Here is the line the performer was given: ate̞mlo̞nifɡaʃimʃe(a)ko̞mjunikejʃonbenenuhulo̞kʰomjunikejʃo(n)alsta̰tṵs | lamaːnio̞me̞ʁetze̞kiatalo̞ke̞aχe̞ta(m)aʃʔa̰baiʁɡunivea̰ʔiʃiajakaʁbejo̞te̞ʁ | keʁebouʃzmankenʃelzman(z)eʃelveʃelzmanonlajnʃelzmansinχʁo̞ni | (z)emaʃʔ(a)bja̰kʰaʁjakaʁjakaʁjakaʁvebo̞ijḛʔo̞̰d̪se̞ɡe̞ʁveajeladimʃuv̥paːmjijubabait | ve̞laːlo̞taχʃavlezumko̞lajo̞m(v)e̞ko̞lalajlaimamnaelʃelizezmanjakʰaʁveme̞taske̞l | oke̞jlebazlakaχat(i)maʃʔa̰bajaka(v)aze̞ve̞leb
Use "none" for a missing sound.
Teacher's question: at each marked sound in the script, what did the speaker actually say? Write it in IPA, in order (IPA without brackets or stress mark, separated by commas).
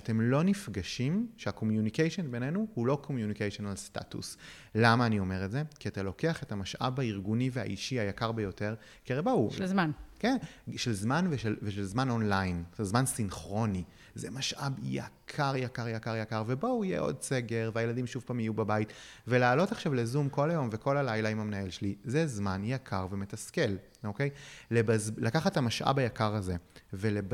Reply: a, n, m, v, z, a, v, a, ʁ